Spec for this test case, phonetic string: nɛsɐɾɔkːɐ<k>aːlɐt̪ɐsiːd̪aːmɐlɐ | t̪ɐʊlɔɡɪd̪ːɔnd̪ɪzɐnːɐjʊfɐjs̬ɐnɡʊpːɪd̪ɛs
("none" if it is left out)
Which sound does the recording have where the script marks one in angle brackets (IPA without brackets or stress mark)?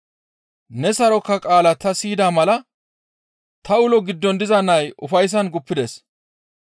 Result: kʼ